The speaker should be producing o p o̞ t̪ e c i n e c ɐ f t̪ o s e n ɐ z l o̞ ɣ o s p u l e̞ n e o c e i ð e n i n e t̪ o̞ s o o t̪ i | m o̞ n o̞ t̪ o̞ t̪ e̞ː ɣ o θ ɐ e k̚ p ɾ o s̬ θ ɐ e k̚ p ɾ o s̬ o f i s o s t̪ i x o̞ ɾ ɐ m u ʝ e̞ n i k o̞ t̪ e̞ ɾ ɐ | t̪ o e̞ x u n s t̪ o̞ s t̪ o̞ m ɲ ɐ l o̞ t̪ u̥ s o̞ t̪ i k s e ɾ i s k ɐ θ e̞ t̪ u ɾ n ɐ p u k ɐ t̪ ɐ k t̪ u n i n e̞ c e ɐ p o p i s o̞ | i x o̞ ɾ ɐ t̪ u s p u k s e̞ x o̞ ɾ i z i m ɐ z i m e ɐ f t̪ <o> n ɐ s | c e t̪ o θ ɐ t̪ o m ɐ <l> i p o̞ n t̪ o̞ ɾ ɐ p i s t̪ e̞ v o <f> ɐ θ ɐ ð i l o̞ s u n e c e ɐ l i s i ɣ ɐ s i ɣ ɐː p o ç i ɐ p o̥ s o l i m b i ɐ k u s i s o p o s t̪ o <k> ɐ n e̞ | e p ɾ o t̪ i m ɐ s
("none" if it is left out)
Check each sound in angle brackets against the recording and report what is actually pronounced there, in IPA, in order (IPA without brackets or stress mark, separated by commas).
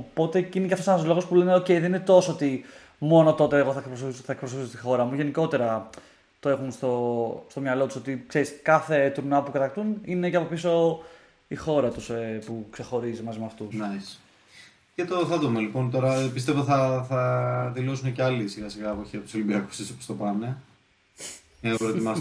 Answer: u, l, θ, p